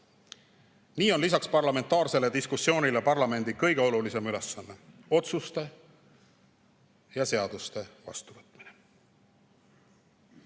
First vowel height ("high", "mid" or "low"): high